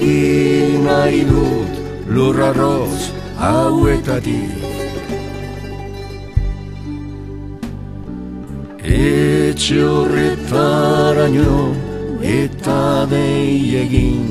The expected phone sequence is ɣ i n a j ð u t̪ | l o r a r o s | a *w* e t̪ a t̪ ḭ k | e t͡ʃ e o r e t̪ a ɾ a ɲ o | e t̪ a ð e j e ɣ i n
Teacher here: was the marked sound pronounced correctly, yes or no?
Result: yes